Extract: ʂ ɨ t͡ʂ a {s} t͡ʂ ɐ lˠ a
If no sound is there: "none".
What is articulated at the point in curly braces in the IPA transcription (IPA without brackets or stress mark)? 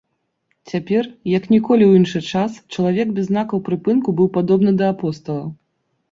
s